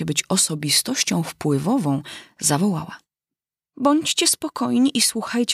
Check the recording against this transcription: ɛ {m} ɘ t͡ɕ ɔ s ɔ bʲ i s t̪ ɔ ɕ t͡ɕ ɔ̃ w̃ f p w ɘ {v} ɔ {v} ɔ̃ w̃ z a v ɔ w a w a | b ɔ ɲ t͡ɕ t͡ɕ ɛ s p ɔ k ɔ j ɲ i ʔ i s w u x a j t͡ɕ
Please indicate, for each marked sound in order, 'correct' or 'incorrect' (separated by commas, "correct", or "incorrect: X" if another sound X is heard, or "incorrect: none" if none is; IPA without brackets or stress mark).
incorrect: b, correct, correct